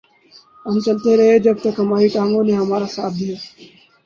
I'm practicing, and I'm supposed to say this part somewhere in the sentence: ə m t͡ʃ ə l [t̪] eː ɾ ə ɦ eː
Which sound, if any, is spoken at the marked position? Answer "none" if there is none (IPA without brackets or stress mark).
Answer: t̪